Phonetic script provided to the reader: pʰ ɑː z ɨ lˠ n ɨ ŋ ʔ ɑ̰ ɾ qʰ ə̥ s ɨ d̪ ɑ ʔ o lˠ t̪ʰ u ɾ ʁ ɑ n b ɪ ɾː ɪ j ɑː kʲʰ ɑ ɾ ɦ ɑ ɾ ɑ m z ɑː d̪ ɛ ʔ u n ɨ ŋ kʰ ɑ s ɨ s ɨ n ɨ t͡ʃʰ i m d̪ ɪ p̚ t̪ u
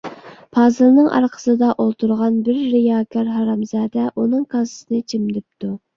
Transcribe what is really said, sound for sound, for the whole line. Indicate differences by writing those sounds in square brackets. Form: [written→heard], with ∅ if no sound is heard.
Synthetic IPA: pʰ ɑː z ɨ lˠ n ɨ ŋ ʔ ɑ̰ ɾ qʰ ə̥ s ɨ d̪ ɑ ʔ o lˠ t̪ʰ u ɾ ʁ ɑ n b ɪ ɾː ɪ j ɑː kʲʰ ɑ ɾ ɦ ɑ ɾ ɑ m z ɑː d̪ ɛ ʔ u n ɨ ŋ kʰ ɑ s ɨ s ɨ n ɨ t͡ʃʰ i m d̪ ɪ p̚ t̪ u